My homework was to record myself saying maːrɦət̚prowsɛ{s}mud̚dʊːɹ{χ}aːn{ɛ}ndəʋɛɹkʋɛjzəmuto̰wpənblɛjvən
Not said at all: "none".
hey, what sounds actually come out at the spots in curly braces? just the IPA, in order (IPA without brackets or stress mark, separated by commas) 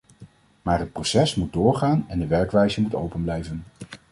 s, χ, ɛ